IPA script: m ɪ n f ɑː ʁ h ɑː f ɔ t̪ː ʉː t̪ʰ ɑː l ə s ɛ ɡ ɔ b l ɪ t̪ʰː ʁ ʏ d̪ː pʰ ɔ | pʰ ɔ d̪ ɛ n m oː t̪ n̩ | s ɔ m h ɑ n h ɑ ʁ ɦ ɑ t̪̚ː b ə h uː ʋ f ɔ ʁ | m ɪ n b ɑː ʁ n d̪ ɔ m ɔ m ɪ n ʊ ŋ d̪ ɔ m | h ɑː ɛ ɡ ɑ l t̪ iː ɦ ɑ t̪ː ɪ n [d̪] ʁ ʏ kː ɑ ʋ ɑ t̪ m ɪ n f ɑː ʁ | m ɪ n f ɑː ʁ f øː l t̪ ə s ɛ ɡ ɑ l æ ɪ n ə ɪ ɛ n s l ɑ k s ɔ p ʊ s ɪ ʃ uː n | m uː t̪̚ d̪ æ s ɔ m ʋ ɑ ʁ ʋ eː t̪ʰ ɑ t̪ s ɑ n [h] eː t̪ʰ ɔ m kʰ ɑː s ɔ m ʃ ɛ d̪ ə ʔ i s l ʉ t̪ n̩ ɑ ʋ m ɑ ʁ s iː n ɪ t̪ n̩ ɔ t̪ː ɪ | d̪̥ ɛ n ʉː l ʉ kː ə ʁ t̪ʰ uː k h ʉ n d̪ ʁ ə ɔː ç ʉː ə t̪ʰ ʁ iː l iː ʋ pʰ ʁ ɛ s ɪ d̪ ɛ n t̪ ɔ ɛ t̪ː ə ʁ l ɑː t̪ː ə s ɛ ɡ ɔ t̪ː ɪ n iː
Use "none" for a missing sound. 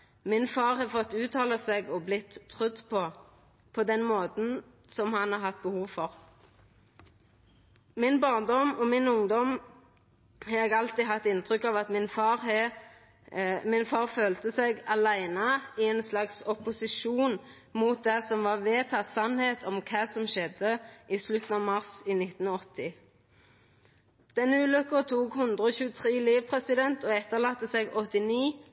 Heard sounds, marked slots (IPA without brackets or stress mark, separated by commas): t̪, h